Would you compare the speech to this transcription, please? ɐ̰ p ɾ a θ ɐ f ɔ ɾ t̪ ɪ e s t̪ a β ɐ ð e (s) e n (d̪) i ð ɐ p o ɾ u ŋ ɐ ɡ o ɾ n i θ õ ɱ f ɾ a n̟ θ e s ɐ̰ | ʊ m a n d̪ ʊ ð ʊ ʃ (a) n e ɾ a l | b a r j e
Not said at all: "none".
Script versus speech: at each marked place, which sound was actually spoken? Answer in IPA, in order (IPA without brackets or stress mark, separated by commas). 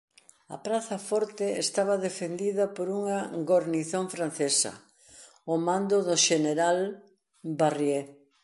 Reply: f, d̪, e